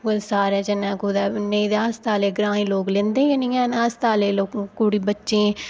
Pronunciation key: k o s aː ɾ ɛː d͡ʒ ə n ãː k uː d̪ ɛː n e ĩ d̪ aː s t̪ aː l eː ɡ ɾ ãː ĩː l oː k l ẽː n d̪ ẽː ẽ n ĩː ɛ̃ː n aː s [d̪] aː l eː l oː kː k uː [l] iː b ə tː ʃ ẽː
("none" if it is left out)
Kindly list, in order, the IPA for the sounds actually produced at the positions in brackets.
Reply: t̪, ɽ

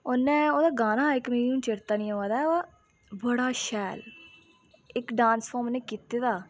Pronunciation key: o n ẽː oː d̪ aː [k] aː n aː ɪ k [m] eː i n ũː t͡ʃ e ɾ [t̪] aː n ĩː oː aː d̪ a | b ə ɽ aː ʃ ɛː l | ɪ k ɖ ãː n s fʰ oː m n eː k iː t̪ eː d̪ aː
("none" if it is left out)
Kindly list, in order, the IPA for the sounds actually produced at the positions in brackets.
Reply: ɡ, m, t̪

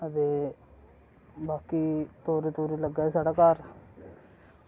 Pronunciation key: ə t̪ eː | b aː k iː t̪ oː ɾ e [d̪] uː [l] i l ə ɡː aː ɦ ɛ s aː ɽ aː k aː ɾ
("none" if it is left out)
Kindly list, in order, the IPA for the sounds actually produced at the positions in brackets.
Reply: t̪, ɾ

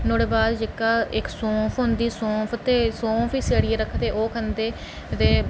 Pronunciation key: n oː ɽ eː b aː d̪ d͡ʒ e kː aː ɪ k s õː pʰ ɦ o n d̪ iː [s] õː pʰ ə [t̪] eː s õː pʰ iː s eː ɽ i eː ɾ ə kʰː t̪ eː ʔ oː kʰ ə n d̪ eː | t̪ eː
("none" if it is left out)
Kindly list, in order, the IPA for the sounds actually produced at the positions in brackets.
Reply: s, t̪

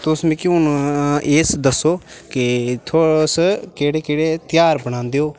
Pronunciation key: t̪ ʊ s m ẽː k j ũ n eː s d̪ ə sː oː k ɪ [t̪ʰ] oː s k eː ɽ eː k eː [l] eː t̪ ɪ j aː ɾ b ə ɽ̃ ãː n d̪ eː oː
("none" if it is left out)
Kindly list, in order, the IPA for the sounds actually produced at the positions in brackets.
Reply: t̪ʰ, ɽ

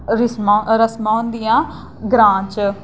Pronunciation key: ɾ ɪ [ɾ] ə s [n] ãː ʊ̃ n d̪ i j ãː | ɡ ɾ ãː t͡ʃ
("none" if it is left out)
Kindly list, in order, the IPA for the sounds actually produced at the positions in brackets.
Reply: ɾ, m

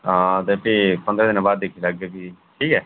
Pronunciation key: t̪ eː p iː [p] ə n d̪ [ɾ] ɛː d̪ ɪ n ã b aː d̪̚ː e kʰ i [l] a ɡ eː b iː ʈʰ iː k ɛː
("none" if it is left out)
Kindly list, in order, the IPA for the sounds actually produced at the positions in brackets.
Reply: p, ɾ, l

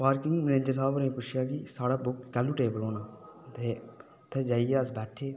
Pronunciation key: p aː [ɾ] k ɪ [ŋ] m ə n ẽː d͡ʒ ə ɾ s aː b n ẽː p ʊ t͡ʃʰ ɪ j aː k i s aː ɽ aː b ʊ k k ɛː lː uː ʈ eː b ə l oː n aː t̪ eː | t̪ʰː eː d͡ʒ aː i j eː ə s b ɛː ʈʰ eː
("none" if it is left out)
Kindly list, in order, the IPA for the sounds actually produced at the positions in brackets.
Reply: ɾ, ŋ

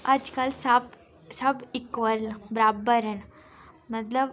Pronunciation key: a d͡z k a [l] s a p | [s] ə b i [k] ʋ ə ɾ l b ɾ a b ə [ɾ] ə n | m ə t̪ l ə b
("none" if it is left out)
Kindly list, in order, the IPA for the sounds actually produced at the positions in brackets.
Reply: l, s, k, ɾ

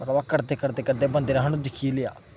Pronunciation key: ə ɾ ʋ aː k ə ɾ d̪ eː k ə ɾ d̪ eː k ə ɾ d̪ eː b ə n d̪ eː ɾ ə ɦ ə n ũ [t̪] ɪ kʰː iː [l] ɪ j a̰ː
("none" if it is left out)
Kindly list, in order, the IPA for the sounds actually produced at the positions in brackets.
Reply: d̪, l

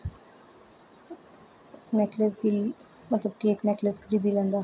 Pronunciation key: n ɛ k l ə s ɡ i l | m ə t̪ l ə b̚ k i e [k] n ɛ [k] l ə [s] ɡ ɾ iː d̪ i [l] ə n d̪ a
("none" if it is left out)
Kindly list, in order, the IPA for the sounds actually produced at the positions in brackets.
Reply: k, k, s, l

